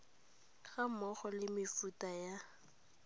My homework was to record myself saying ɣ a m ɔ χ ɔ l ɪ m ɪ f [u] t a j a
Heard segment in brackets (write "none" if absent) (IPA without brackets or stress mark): u